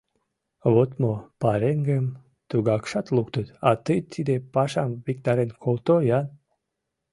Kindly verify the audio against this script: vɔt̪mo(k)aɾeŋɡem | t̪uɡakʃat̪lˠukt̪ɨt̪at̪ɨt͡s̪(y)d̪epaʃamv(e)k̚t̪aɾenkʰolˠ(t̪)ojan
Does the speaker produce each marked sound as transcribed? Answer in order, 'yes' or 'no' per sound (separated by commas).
no, no, no, yes